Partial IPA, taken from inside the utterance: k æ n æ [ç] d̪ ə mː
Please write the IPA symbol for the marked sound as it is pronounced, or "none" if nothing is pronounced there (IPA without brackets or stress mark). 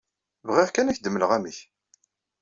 ç